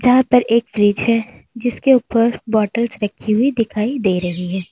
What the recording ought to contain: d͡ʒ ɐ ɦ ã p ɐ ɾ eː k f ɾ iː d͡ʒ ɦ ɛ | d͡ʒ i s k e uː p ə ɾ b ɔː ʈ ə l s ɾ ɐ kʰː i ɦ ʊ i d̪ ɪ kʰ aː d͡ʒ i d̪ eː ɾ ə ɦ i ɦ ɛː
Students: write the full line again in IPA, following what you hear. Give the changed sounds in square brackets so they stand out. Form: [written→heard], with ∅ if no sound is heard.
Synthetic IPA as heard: d͡ʒ ɐ ɦ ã p ɐ ɾ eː k f ɾ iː d͡ʒ ɦ ɛ | d͡ʒ [i→ɪ] s k e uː p ə ɾ b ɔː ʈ ə l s ɾ ɐ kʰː i ɦ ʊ i d̪ ɪ kʰ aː [d͡ʒ→∅] i d̪ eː ɾ [ə→ɐ] ɦ i ɦ ɛː